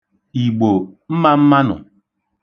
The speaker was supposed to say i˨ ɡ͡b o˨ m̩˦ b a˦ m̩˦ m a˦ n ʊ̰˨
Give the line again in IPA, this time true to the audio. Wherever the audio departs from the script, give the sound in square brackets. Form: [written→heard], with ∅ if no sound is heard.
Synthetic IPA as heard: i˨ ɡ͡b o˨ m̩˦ [b→m] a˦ m̩˦ m a˦ n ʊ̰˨